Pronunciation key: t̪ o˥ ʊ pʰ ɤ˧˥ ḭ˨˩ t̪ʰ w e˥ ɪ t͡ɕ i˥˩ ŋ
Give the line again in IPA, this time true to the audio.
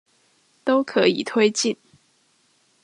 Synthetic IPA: t̪ o˥ ʊ kʰ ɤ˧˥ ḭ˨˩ t̪ʰ w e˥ ɪ t͡ɕ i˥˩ n